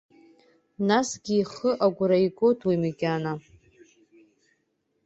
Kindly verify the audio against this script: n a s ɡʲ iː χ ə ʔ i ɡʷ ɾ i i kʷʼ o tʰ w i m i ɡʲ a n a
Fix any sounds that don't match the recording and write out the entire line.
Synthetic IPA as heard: n a s ɡʲ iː χ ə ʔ a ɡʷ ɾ a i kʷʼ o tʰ w i m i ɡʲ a n a